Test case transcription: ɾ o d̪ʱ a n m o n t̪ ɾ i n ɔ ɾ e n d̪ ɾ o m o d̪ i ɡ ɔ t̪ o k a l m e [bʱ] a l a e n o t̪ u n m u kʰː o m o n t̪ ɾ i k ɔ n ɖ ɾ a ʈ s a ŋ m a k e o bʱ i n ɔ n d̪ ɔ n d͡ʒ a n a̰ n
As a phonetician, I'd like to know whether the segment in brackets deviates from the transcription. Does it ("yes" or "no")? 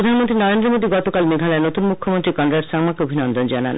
yes